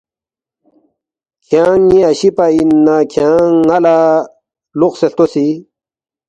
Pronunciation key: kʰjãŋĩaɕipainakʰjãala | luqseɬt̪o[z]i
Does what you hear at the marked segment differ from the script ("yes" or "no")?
yes